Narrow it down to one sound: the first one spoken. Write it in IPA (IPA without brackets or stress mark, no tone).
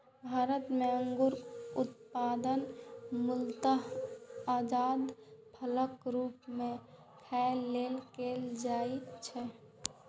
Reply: bʱ